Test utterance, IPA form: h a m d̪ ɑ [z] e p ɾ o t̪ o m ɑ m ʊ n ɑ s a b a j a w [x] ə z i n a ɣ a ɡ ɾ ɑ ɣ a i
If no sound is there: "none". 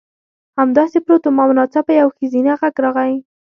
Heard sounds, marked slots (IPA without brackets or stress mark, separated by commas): s, x